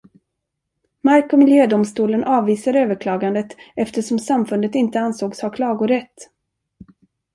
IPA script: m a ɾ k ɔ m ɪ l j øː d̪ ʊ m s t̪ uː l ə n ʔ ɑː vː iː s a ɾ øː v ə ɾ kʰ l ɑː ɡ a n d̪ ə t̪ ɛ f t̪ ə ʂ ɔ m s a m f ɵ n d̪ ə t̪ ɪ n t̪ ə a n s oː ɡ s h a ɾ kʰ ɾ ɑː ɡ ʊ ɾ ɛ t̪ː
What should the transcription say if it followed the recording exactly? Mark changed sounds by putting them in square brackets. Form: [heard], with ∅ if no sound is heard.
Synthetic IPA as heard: m a ɾ k ɔ m ɪ l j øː d̪ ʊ m s t̪ uː l ə n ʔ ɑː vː iː s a ɾ øː v ə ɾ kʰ l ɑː ɡ a n d̪ ə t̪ ɛ f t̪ ə ʂ ɔ m s a m f ɵ n d̪ ə t̪ ɪ n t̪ ə a n s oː ɡ s h a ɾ kʰ [l] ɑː ɡ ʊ ɾ ɛ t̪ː